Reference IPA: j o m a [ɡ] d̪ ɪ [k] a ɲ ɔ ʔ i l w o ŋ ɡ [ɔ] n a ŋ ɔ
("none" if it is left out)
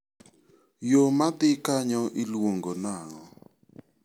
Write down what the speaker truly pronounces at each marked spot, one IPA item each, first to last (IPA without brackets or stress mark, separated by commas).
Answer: none, k, o